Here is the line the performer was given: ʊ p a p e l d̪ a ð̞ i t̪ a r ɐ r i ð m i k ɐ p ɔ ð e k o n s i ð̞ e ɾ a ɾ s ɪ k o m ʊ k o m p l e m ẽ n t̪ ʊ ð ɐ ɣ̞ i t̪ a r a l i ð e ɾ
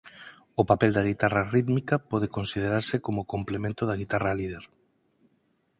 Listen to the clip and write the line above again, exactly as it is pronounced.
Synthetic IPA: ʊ p a p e l d̪ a ɣ̞ i t̪ a r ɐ r i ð m i k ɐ p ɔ ð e k o n s i ð̞ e ɾ a ɾ s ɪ k o m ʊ k o m p l e m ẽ n t̪ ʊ ð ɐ ɣ̞ i t̪ a r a l i ð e ɾ